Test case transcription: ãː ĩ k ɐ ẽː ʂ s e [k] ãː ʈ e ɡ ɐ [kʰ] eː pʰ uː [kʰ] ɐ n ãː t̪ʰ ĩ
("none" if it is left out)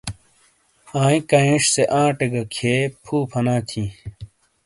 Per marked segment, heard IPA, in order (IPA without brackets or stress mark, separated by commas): ʔ, kʰ, pʰ